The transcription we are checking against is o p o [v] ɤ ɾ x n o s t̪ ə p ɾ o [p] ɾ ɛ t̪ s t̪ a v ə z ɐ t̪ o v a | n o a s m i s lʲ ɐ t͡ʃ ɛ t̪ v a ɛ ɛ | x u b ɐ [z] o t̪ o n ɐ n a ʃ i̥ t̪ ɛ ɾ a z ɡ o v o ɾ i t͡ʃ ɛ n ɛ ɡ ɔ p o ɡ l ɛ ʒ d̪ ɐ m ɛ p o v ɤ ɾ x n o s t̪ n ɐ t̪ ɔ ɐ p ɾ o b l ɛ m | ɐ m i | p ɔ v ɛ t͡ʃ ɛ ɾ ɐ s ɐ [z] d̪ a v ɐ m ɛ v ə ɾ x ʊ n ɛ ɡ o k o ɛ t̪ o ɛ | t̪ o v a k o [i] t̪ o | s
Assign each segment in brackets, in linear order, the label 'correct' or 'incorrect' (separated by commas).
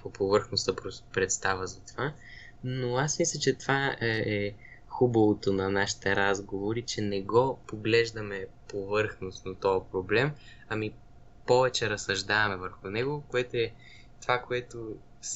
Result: correct, correct, incorrect, incorrect, incorrect